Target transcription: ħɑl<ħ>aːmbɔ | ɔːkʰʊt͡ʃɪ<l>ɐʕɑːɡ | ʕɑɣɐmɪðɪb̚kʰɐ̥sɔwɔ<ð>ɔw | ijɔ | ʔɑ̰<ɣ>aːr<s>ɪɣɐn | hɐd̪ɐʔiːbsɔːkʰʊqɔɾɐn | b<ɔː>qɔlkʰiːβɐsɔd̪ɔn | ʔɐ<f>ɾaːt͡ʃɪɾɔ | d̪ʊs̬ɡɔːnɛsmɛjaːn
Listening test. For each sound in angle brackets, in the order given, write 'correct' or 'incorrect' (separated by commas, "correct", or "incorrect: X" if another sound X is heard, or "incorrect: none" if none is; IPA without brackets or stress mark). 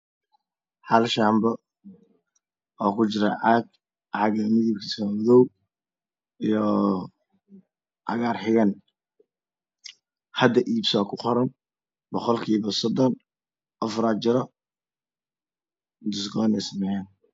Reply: incorrect: ʃ, incorrect: ɾ, correct, correct, incorrect: ħ, incorrect: ɔ, correct